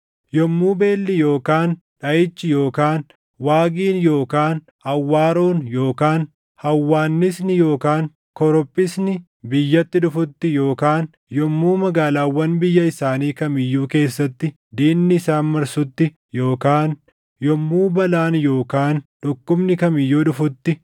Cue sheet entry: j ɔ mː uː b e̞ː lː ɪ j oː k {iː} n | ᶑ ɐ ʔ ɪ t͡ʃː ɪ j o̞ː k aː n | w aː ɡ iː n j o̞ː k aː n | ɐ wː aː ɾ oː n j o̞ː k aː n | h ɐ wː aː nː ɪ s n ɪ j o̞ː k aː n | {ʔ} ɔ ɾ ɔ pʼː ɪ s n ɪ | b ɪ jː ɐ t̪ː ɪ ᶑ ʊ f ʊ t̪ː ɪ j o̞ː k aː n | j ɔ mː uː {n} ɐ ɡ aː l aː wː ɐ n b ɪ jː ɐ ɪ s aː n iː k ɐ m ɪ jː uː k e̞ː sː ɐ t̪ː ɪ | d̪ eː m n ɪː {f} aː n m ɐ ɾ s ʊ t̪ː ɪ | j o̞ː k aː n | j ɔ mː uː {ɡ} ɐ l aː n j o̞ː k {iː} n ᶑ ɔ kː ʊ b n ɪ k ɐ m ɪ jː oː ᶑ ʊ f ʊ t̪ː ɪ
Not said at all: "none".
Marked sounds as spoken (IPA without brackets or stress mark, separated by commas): aː, k, m, s, b, aː